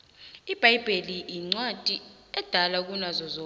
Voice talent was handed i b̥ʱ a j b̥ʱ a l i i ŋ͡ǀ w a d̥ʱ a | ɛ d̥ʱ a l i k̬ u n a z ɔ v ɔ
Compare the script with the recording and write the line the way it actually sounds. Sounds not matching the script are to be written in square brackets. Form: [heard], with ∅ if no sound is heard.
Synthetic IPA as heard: i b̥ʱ a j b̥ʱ [e] l i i ŋ͡ǀ w a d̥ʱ [i] | ɛ d̥ʱ a l [a] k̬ u n a z ɔ [z] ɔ